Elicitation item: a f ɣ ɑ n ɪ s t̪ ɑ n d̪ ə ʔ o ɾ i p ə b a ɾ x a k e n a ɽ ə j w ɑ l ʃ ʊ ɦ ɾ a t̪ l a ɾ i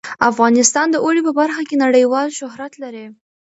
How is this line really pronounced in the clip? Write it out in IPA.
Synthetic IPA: a f ɣ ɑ n ɪ s t̪ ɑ n d̪ ə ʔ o ɽ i p ə b a ɾ x a k e n a ɽ ə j w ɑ l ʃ ʊ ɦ ɾ a t̪ l a ɾ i

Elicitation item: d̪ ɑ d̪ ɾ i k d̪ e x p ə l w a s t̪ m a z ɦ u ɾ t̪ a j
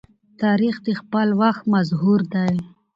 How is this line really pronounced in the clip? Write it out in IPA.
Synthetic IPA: t̪ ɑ ɾ i x d̪ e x p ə l w a x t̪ m a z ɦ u ɾ d̪ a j

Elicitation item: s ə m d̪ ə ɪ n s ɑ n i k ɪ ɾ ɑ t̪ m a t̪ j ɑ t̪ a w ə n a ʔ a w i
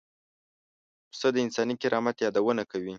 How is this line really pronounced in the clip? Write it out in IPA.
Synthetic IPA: s ə d̪ ə ɪ n s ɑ n i k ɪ ɾ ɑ m a t̪ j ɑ d̪ a w ə n a k a w i

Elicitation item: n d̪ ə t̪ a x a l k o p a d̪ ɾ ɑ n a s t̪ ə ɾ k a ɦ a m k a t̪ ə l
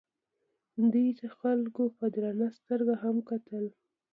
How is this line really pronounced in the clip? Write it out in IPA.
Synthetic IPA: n d̪ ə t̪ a x a l k o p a d̪ ɾ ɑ n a s t̪ ə ɾ ɡ a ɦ a m k a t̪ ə l

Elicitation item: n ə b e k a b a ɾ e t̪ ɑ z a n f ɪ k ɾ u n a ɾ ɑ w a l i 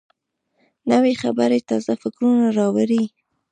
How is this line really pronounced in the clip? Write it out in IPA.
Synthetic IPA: n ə w e x a b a ɾ e t̪ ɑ z a f ɪ k ɾ u n a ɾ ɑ w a ɾ i

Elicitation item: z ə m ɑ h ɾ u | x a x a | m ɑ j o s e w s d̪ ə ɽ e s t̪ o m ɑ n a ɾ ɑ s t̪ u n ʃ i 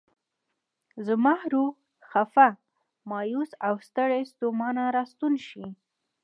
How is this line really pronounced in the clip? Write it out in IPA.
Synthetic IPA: z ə m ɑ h ɾ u | x a f a | m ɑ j u s a w s t̪ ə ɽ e s t̪ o m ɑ n a ɾ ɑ s t̪ u n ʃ i

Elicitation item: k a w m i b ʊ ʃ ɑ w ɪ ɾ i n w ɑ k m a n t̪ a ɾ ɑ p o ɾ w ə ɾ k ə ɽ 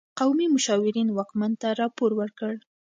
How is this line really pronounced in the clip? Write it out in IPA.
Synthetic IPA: q a w m i m ʊ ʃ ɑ w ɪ ɾ i n w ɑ k m a n t̪ a ɾ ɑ p o ɾ w ə ɾ k ə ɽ

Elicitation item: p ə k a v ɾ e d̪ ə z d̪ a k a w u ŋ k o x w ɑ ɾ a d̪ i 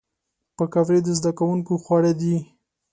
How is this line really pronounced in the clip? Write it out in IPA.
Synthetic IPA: p ə k a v ɾ e d̪ ə z d̪ a k a w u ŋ k o x w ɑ ɽ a d̪ i

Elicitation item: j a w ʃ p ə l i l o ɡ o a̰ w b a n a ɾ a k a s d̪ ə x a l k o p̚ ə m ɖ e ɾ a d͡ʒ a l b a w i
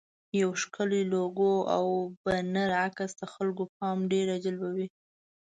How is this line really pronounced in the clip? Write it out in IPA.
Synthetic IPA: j a w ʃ k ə l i l o ɡ o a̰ w b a n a ɾ a k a s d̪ ə x a l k o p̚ ɑ m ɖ e ɾ a d͡ʒ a l b a w i

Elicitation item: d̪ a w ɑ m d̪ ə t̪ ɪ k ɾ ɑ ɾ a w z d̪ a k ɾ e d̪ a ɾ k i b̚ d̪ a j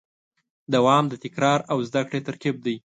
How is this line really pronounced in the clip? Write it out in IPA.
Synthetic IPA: d̪ a w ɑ m d̪ ə t̪ ɪ k ɾ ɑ ɾ a w z d̪ a k ɽ e t̪ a ɾ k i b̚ d̪ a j

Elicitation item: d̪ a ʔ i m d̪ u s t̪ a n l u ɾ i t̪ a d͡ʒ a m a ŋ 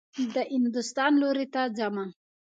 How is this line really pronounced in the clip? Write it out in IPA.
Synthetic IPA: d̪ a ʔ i n d̪ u s t̪ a n l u ɾ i t̪ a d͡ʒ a m a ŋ

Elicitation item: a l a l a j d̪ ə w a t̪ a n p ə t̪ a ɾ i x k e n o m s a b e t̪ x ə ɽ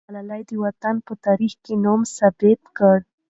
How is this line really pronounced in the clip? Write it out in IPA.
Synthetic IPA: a l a l a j d̪ ə w a t̪ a n p ə t̪ a ɾ i x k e n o m s a b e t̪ k ə ɽ

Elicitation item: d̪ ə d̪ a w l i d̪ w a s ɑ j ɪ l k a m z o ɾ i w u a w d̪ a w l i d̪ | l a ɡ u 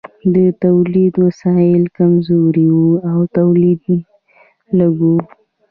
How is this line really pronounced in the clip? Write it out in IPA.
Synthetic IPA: d̪ ə t̪ a w l i d̪ w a s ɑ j ɪ l k a m z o ɾ i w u a w t̪ a w l i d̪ | l a ɡ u

